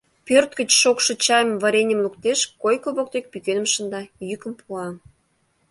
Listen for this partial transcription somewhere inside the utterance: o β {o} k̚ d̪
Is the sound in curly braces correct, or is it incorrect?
correct